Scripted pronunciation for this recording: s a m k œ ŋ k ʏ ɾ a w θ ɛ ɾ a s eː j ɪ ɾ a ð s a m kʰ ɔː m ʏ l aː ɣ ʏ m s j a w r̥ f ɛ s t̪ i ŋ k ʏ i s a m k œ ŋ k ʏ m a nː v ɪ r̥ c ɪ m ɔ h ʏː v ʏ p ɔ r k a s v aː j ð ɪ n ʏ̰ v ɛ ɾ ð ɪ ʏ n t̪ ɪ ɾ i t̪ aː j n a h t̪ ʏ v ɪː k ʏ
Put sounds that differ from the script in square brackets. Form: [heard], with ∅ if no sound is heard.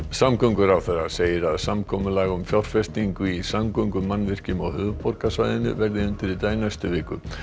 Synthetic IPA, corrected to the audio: s a m k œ ŋ k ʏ ɾ a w θ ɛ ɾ a s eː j ɪ ɾ a ð s a m kʰ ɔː m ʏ l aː ɣ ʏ m [f] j a w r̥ f ɛ s t̪ i ŋ k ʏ i s a m k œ ŋ k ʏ m a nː v ɪ r̥ c ɪ m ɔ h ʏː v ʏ p ɔ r k a s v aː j ð ɪ n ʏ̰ v ɛ ɾ ð ɪ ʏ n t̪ ɪ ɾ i t̪ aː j n a [s] t̪ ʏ v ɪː k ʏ